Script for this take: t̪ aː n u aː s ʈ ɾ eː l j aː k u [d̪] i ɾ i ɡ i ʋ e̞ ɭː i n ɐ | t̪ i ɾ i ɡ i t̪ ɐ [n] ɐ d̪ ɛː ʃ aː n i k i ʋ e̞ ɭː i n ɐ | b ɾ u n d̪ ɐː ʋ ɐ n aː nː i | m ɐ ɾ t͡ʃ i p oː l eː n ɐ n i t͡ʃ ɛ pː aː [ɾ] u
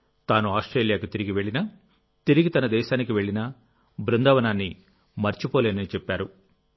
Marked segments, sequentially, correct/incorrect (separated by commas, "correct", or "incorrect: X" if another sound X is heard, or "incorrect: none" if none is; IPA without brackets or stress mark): incorrect: t̪, correct, correct